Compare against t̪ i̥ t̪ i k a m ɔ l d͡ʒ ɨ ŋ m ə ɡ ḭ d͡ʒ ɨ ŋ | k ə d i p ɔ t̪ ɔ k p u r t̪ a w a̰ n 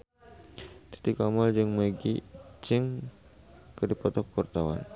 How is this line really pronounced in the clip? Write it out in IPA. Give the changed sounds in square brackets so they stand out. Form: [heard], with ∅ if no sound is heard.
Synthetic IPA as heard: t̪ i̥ t̪ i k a m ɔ l d͡ʒ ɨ ŋ m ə ɡ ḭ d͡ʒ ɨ ŋ | k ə d i p ɔ t̪ ɔ k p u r t̪ a w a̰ n